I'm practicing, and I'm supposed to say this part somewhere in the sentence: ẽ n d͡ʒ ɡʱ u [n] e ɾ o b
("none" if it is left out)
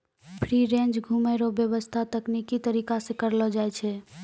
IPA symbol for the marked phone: m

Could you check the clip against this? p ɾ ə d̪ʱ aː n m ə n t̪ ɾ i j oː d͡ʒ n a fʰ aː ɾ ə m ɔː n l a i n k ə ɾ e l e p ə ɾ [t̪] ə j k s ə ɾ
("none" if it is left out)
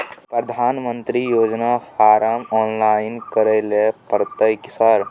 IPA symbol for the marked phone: t̪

